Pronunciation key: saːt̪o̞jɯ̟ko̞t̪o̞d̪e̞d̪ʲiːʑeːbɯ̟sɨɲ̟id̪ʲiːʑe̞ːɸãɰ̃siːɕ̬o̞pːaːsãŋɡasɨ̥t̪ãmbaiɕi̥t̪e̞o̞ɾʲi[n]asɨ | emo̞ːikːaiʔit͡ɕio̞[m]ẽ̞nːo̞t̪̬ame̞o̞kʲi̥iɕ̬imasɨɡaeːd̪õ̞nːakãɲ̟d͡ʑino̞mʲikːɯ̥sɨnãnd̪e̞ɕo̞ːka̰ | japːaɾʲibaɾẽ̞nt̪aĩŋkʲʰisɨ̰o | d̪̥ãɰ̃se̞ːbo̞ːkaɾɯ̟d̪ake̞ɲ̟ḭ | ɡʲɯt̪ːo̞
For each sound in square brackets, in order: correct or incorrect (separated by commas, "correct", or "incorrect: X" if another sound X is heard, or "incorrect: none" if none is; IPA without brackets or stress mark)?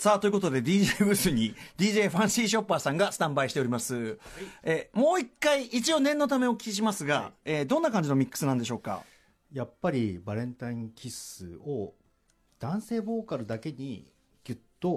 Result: incorrect: m, incorrect: n